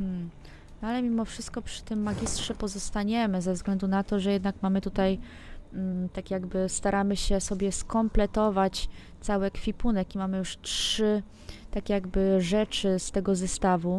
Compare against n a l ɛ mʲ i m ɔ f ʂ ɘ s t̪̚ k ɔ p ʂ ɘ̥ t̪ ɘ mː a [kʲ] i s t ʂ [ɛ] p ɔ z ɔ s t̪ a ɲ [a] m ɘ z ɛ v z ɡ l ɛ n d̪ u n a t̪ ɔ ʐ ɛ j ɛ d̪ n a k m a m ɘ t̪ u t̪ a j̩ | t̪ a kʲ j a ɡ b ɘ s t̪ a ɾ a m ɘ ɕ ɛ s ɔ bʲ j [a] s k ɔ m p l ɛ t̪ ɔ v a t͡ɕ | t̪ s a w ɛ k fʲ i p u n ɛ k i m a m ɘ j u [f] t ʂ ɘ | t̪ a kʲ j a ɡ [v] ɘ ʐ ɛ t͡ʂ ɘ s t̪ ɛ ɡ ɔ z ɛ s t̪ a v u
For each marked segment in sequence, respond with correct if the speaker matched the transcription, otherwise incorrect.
incorrect: ɡʲ, correct, incorrect: ɛ, incorrect: ɛ, incorrect: ʂ, incorrect: b

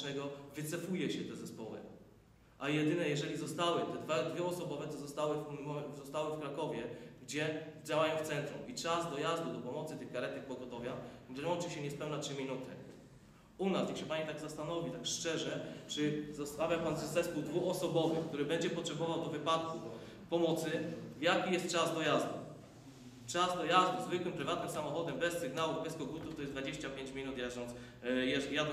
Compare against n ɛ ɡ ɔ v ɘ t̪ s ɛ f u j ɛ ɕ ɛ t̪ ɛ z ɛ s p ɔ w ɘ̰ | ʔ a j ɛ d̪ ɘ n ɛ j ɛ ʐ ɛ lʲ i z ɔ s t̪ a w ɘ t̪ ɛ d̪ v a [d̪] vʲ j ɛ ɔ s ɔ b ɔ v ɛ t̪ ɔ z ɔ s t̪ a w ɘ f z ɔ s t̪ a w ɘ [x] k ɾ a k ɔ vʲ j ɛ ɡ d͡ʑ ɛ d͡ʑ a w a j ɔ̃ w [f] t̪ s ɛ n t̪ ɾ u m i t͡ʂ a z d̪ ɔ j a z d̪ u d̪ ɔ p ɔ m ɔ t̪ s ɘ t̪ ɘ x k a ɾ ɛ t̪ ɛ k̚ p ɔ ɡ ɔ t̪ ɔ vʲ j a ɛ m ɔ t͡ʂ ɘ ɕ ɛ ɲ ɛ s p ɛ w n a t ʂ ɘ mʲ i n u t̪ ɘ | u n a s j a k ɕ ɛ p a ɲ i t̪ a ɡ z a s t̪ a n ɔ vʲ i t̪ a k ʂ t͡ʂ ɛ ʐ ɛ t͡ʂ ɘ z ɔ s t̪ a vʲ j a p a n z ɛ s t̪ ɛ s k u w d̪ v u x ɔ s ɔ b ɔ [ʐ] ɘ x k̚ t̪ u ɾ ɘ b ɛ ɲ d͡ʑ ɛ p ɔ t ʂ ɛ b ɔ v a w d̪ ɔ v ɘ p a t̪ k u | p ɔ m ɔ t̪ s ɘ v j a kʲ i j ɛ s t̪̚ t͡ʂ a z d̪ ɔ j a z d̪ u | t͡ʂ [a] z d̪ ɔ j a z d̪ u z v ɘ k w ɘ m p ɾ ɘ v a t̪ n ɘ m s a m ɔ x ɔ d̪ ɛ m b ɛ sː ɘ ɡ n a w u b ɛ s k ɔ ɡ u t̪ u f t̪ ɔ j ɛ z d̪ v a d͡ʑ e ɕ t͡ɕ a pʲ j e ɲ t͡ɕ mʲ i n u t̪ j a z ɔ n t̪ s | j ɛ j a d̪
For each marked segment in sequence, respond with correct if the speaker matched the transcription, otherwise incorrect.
correct, incorrect: f, correct, incorrect: v, correct

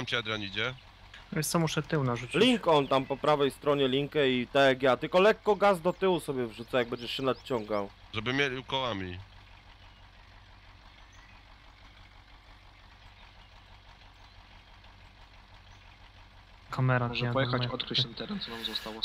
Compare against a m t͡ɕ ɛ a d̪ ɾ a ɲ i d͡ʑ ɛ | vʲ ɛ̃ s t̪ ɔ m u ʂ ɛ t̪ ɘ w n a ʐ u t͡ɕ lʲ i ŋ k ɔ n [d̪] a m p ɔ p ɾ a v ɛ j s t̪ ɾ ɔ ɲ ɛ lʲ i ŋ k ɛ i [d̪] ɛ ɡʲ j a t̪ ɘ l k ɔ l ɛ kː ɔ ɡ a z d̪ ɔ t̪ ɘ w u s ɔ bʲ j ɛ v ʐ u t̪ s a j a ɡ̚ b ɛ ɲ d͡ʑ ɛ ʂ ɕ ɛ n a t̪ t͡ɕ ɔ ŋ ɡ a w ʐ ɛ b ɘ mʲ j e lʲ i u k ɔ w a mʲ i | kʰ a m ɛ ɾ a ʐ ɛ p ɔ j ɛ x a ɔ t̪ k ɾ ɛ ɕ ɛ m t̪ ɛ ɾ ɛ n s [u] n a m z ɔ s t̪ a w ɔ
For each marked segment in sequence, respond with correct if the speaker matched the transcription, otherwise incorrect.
incorrect: t̪, incorrect: t̪, incorrect: ɔ

